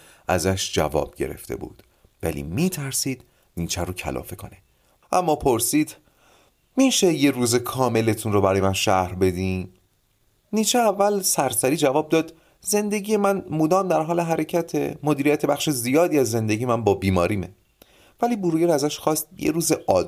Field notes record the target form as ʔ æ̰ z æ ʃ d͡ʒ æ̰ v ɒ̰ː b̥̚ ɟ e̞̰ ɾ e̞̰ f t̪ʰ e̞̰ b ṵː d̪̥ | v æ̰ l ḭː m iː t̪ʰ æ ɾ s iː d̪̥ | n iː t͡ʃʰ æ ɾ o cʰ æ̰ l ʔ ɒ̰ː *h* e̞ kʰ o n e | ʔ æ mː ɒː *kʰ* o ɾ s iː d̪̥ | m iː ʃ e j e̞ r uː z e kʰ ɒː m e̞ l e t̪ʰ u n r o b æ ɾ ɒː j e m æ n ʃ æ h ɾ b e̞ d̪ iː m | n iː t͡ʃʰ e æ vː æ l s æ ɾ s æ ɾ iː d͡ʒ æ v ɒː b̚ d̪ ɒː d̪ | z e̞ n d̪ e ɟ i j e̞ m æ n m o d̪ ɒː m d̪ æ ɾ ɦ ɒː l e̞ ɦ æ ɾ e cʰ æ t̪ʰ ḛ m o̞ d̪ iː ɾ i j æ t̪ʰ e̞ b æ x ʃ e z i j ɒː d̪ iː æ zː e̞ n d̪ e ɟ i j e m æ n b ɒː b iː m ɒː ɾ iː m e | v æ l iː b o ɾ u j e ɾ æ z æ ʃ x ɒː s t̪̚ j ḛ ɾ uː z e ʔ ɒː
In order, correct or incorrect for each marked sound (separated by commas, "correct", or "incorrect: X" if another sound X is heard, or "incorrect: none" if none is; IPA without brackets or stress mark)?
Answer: incorrect: f, incorrect: pʰ